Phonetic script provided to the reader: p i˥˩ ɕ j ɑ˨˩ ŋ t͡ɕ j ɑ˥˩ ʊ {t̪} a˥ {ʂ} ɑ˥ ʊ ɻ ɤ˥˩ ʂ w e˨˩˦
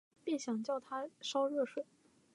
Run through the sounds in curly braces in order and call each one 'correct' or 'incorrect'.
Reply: incorrect: t̪ʰ, correct

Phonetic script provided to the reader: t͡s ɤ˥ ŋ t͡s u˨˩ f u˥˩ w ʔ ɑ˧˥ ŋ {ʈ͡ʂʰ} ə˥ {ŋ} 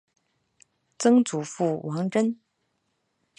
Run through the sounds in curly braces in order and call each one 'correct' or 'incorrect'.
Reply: incorrect: ʈ͡ʂ, incorrect: n

